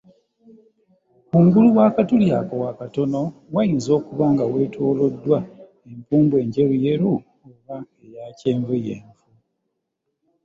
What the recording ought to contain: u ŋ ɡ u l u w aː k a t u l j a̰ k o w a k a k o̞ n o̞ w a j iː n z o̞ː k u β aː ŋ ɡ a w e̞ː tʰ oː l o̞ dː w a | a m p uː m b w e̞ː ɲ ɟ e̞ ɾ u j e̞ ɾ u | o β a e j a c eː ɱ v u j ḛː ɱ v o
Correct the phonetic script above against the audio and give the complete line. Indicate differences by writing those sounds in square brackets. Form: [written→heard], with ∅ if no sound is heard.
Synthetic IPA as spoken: u ŋ ɡ u l u w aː k a t u l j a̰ k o w a k a [k→t] o̞ n o̞ w a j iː n z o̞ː k u β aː ŋ ɡ a w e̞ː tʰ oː l o̞ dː w a | [a→e] m p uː m b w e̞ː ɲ ɟ e̞ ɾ u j e̞ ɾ u | o β a e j a c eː ɱ v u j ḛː ɱ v [o→u]

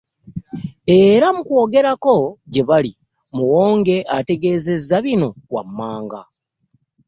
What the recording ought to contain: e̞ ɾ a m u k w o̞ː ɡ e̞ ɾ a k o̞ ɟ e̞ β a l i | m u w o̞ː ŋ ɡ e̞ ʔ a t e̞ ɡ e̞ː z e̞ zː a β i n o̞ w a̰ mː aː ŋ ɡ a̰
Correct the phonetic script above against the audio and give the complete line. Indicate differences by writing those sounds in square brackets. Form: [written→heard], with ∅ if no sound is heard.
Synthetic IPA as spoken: e̞ ɾ a m u k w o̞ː ɡ e̞ ɾ a k o̞ ɟ e̞ β a l i | m u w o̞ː ŋ ɡ e̞ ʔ a t e̞ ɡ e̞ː z e̞ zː a β i n o̞ w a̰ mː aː ŋ ɡ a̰

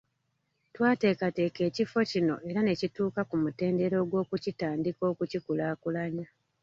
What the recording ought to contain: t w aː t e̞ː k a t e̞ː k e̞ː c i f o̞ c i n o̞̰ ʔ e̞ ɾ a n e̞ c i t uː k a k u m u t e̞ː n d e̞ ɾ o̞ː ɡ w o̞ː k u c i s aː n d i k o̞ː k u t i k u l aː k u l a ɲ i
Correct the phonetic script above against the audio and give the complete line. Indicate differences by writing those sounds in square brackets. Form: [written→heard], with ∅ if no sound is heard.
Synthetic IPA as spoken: t w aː t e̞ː k a t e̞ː k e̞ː c i f o̞ c i n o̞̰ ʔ e̞ ɾ a n e̞ c i t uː k a k u m u t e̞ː n d e̞ ɾ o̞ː ɡ w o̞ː k u c i [s→t] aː n d i k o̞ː k u [t→c] i k u l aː k u l a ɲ [i→a]

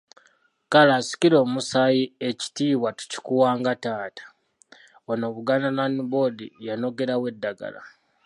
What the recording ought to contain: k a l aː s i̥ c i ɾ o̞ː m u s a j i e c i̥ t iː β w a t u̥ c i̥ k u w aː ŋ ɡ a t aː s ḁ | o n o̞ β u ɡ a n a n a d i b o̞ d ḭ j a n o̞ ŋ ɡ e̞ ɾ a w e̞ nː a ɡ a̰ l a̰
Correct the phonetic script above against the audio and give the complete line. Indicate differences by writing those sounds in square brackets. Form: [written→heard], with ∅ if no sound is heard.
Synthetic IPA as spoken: k a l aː s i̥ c i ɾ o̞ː m u s a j i e c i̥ t iː β w a t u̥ c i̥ k u w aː ŋ ɡ a t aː [s→t] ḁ | o n o̞ β u ɡ a n a n a [d→n] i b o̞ d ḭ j a n o̞ [ŋ→∅] ɡ e̞ ɾ a w e̞ [nː→dː] a ɡ a̰ l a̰

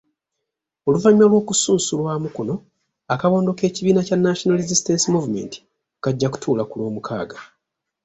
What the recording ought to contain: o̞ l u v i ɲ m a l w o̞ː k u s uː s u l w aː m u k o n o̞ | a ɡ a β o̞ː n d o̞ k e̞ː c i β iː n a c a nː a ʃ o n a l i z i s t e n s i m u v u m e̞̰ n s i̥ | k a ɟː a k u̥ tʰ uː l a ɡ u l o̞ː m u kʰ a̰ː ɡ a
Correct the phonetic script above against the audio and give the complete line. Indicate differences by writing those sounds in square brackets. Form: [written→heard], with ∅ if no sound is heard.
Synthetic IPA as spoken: o̞ l u v [i→a] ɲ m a l w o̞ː k u s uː s u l w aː m u k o n o̞ | a [ɡ→k] a β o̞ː n d o̞ k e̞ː c i β iː n a c a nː a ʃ o n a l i z i s t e n s i m u v u m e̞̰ n [s→t] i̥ | k a ɟː a k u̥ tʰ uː l a [ɡ→k] u l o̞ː m u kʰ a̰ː ɡ a

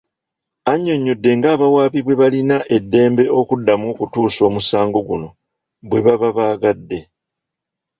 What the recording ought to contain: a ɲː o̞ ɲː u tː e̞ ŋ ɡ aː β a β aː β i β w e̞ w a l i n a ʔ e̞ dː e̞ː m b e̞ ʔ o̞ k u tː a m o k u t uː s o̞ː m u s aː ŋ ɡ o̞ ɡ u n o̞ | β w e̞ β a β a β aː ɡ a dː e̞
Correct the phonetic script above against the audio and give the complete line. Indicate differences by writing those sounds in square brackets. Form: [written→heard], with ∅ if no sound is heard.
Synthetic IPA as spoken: a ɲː o̞ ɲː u [tː→dː] e̞ ŋ ɡ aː β a [β→w] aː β i β w e̞ [w→β] a l i n a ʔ e̞ dː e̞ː m b e̞ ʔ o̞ k u [tː→dː] a m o k u t uː s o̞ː m u s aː ŋ ɡ o̞ ɡ u n o̞ | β w e̞ β a β a β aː ɡ a dː e̞

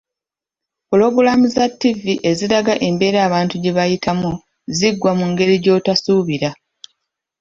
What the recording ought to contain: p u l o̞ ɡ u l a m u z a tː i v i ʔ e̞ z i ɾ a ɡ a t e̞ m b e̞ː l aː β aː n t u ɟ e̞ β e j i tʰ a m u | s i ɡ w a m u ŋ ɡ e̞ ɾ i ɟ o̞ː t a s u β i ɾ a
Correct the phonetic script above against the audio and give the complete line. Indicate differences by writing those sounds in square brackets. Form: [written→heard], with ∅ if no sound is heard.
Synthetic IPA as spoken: p u l o̞ ɡ u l a m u z a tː i v i ʔ e̞ z i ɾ a ɡ a [t→ʔ] e̞ m b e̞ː [l→ɾ] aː β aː n t u ɟ e̞ β [e→a] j i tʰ a m u | [s→z] i ɡ w a m u ŋ ɡ e̞ ɾ i ɟ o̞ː t a s u β i ɾ a

